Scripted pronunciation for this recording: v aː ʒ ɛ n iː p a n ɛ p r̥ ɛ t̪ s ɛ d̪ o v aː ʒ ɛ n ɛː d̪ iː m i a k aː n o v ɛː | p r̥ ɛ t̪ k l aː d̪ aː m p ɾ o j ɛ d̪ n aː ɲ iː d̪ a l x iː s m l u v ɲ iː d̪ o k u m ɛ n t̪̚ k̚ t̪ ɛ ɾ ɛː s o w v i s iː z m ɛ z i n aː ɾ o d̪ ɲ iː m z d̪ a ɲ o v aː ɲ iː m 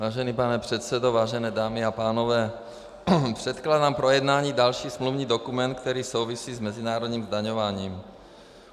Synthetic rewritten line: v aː ʒ ɛ n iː p a n ɛ p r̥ ɛ t̪ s ɛ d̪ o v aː ʒ ɛ n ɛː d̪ aː m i a p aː n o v ɛː | p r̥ ɛ t̪ k l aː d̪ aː m p ɾ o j ɛ d̪ n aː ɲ iː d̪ a l ʃ iː s m l u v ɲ iː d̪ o k u m ɛ n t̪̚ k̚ t̪ ɛ ɾ iː s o w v i s iː z m ɛ z i n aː ɾ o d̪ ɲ iː m z d̪ a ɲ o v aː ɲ iː m

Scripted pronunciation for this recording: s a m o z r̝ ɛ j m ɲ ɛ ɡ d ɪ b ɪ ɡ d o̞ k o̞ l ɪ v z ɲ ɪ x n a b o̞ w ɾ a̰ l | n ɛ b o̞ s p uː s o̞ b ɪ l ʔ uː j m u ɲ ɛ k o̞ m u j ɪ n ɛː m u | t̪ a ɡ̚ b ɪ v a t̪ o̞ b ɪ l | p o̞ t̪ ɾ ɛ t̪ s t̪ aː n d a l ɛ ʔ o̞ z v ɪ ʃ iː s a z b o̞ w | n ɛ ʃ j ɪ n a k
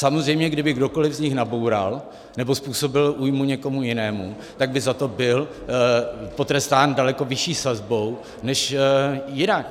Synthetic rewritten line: s a m o z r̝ ɛ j m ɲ ɛ ɡ d ɪ b ɪ ɡ d o̞ k o̞ l ɪ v z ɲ ɪ x n a b o̞ w ɾ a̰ l | n ɛ b o̞ s p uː s o̞ b ɪ l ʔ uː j m u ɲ ɛ k o̞ m u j ɪ n ɛː m u | t̪ a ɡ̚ b ɪ z a t̪ o̞ b ɪ l | p o̞ t̪ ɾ ɛ s t̪ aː n d a l ɛ k o̞ v ɪ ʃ iː s a z b o̞ w | n ɛ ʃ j ɪ n a k

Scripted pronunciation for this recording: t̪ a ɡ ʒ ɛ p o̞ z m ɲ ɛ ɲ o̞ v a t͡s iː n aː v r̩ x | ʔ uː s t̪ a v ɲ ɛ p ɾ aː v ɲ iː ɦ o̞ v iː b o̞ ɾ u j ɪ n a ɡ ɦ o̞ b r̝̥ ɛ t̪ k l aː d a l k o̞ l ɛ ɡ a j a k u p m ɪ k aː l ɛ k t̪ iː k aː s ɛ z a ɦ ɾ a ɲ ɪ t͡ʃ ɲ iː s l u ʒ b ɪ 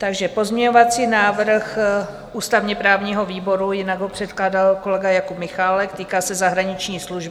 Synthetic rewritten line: t̪ a ɡ ʒ ɛ p o̞ z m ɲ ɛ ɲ o̞ v a t͡s iː n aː v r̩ x | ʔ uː s t̪ a v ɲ ɛ p ɾ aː v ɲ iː ɦ o̞ v iː b o̞ ɾ u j ɪ n a ɡ ɦ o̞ p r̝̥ ɛ t̪ k l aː d a l k o̞ l ɛ ɡ a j a k u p m ɪ x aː l ɛ k t̪ iː k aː s ɛ z a ɦ ɾ a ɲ ɪ t͡ʃ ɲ iː s l u ʒ b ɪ

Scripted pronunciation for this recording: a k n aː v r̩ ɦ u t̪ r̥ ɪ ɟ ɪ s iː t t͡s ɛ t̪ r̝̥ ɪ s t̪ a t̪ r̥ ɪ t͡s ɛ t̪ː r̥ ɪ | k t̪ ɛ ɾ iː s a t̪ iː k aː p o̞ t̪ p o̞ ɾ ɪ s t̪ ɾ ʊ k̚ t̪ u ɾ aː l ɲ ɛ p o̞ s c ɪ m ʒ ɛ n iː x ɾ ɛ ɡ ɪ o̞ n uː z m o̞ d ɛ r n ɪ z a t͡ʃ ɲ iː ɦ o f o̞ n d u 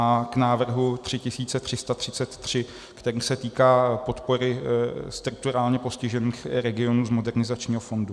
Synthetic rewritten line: a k n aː v r̩ ɦ u t̪ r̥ ɪ c ɪ s iː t t͡s ɛ t̪ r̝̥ ɪ s t̪ a t̪ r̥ ɪ t͡s ɛ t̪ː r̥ ɪ | k t̪ ɛ ɾ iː s ɛ t̪ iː k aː p o̞ t̪ p o̞ ɾ ɪ s t̪ ɾ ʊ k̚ t̪ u ɾ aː l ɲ ɛ p o̞ s c ɪ ʒ ɛ n iː x ɾ ɛ ɡ ɪ o̞ n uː z m o̞ d ɛ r n ɪ z a t͡ʃ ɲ iː ɦ o f o̞ n d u

